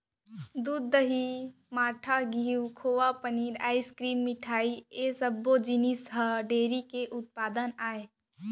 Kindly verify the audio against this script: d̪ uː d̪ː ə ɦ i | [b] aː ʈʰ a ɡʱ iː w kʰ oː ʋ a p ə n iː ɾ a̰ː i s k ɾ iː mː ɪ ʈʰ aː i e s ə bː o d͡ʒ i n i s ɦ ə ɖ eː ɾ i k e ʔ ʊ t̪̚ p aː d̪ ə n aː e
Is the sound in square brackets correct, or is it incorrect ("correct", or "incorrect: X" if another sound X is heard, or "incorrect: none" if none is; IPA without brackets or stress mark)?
incorrect: m